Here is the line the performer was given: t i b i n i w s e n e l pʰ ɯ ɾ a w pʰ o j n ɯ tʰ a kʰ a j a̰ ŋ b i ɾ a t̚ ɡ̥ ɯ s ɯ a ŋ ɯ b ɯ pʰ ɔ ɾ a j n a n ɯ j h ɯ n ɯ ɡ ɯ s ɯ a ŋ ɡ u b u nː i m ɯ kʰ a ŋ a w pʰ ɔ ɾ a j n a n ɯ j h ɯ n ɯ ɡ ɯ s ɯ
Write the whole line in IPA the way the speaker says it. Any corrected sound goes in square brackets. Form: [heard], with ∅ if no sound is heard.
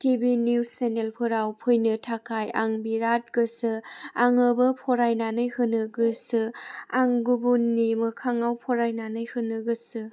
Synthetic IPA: t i b i n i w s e n e l pʰ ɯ ɾ a w pʰ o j n ɯ tʰ a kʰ a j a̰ ŋ b i ɾ a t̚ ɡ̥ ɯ s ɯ a ŋ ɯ b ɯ pʰ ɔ ɾ a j n a n ɯ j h ɯ n ɯ ɡ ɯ s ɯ a ŋ ɡ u b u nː i m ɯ kʰ a ŋ a w pʰ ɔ ɾ a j n a n ɯ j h ɯ n ɯ ɡ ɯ s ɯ